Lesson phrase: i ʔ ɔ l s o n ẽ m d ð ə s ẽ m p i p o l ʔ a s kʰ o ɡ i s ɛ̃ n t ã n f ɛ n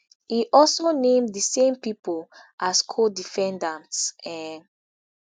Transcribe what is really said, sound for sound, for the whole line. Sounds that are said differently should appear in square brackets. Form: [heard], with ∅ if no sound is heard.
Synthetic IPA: i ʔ ɔ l s o n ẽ m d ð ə s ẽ m p i p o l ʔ a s kʰ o [d] i [f] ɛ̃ n [d] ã n [s] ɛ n